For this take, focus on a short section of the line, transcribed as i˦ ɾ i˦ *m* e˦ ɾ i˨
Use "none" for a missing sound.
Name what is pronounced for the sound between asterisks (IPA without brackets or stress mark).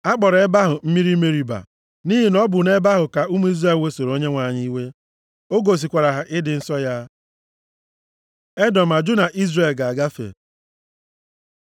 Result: m